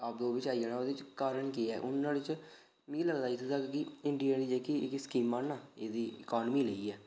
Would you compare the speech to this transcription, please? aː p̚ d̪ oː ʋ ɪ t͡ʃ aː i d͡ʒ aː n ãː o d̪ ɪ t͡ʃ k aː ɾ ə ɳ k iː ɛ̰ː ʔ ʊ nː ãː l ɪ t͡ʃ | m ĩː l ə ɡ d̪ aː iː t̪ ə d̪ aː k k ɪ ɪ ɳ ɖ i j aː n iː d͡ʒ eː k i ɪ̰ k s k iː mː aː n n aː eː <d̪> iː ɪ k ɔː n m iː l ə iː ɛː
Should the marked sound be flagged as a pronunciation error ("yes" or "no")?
no